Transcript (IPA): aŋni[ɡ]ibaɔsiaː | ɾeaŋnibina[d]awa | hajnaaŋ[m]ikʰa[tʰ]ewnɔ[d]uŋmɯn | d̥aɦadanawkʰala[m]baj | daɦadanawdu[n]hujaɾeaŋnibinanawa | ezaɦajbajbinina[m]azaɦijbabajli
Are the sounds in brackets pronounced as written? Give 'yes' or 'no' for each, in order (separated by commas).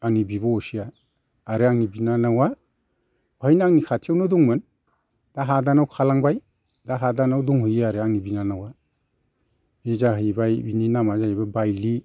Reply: no, no, no, yes, yes, no, no, yes